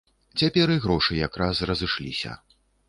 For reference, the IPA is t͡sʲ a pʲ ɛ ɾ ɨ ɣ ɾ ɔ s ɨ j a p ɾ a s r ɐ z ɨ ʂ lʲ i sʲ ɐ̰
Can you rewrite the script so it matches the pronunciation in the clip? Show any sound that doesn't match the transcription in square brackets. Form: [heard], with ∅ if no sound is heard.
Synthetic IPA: t͡sʲ a pʲ ɛ ɾ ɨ ɣ ɾ ɔ [ʂ] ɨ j a [k] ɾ a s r ɐ z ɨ ʂ lʲ i sʲ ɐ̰